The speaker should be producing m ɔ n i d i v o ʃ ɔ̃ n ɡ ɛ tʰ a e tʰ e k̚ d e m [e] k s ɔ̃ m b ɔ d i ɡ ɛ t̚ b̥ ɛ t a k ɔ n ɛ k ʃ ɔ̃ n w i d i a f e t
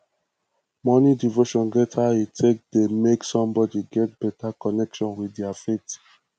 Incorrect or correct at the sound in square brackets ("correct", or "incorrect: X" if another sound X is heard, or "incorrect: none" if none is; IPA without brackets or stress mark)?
correct